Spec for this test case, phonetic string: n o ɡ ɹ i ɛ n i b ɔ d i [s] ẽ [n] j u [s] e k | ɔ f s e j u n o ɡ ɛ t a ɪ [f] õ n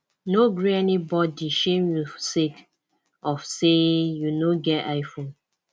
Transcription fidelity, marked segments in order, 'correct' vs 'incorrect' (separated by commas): incorrect, incorrect, correct, correct